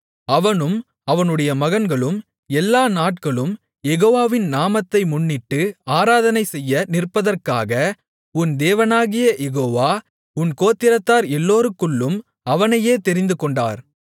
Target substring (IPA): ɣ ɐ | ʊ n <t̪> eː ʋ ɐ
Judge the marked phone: incorrect: d̪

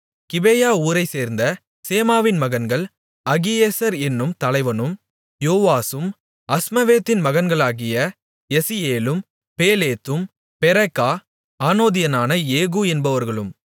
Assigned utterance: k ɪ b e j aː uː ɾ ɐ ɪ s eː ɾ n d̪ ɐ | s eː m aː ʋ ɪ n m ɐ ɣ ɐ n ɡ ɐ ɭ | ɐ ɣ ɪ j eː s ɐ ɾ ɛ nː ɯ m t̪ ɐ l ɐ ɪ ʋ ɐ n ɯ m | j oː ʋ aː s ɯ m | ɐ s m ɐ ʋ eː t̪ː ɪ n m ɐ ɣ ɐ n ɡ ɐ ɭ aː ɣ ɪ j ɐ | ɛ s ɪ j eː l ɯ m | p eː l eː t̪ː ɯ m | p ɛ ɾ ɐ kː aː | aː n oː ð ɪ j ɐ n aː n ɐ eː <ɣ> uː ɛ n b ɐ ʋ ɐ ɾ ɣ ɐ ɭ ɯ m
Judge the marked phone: correct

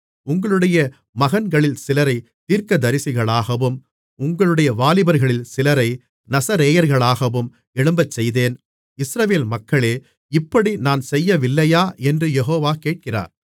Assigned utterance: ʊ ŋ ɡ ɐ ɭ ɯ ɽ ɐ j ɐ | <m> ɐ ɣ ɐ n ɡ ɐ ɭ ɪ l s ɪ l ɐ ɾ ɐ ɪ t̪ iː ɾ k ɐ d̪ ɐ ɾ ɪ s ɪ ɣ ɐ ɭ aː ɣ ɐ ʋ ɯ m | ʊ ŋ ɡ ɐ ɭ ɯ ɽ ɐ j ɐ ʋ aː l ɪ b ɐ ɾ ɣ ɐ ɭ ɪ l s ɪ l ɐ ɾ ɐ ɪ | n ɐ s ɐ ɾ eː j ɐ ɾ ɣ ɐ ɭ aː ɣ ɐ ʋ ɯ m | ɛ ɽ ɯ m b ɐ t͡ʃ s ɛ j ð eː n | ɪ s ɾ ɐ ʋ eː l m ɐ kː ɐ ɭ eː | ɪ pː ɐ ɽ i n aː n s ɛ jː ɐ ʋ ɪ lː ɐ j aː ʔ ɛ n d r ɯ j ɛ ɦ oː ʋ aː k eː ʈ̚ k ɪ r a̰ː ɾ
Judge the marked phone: correct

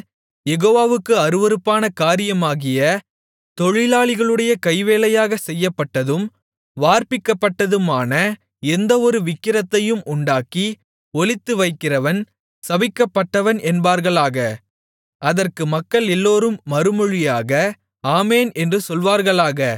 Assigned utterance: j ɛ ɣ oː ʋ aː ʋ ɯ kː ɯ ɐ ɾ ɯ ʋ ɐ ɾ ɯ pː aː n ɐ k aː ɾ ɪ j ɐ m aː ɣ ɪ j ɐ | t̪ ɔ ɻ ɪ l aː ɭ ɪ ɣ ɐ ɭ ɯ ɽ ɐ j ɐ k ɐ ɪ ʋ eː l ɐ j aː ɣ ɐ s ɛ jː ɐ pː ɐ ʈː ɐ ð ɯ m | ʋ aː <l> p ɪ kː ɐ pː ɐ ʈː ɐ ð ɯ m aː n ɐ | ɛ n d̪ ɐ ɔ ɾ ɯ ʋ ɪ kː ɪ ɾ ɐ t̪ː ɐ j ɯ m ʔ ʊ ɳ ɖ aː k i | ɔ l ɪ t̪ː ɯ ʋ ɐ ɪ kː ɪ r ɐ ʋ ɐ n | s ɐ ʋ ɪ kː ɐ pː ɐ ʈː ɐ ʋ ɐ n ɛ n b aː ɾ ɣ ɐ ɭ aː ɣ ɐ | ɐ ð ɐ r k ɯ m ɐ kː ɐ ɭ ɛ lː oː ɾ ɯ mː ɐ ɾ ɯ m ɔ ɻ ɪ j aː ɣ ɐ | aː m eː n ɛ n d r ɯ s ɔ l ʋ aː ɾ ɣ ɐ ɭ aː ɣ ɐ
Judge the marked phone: incorrect: ɾ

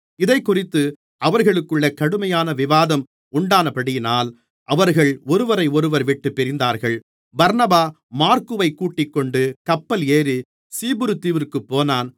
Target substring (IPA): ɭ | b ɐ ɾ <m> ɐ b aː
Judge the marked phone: incorrect: n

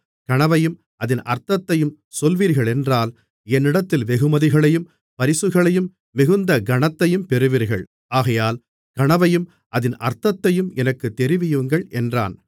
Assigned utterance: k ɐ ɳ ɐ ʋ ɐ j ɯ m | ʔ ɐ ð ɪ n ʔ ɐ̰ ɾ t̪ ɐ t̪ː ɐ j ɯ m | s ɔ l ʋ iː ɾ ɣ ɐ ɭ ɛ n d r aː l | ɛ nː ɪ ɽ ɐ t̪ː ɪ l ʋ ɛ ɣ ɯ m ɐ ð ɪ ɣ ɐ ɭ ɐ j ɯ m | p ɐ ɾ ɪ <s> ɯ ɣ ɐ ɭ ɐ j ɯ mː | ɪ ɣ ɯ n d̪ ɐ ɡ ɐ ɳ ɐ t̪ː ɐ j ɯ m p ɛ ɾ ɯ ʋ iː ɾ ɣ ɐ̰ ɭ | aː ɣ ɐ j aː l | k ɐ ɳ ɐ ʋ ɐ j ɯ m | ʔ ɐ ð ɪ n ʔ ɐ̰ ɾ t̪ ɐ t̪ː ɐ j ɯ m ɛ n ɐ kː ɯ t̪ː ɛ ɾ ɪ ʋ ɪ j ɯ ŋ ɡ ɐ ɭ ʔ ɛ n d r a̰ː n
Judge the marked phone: correct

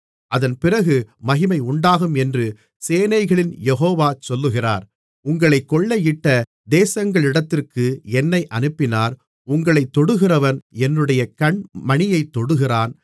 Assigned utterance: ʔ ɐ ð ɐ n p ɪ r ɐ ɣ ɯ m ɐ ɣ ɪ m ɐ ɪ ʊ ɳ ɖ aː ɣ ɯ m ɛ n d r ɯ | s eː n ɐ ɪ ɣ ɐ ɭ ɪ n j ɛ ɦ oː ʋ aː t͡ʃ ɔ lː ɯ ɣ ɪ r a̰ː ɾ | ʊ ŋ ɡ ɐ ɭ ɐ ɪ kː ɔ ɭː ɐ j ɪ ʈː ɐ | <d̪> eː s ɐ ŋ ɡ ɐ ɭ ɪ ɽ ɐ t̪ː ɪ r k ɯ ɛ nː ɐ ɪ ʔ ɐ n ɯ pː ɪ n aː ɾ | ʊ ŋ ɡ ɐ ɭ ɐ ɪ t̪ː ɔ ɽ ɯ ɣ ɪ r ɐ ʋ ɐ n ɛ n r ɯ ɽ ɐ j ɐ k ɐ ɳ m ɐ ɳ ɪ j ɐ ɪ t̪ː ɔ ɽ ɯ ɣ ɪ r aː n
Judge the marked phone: correct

